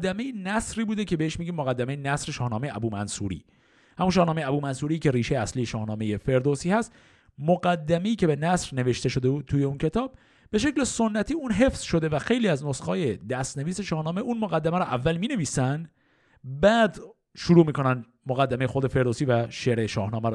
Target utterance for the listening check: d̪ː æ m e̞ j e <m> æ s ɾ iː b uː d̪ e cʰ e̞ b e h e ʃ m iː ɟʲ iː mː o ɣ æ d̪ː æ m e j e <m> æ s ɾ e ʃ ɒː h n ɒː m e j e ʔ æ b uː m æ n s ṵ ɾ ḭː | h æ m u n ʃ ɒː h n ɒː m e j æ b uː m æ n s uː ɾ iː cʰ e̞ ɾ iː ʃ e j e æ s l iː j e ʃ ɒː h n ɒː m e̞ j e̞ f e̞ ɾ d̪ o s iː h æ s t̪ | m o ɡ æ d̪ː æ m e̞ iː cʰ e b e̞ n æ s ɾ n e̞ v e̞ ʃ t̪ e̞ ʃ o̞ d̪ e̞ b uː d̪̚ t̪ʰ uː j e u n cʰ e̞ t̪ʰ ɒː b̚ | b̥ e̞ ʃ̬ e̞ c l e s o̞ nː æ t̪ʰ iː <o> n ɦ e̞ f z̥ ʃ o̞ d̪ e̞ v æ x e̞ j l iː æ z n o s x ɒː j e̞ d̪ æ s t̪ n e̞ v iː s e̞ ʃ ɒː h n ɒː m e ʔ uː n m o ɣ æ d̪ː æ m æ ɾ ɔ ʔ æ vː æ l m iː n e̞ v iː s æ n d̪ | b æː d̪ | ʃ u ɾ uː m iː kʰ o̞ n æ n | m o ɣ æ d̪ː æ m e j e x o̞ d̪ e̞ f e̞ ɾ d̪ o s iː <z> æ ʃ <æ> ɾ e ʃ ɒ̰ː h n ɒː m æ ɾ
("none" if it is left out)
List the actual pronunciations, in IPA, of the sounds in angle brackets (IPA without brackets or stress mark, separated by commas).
n, n, u, v, e